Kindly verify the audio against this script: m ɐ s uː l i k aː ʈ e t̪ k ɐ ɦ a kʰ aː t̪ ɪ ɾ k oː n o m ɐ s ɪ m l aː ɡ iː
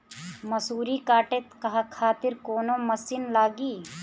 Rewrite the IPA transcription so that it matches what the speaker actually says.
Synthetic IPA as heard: m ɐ s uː ɾ i k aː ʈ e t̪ k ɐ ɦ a kʰ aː t̪ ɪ ɾ k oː n o m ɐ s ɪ n l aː ɡ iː